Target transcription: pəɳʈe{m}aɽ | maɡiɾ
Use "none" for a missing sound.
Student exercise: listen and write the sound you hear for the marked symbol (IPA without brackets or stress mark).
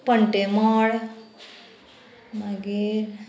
m